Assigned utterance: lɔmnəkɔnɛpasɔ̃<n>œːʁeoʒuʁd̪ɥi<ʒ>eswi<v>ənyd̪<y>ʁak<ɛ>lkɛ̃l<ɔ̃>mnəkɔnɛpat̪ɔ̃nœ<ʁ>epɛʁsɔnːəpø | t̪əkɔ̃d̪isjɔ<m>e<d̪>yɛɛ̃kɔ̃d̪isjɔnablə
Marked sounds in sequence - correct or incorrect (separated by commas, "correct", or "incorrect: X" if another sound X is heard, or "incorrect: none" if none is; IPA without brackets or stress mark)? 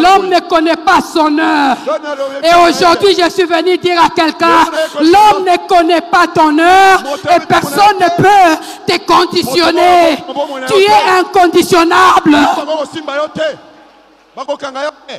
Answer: correct, correct, correct, incorrect: i, correct, incorrect: ɔ, correct, incorrect: n, incorrect: t̪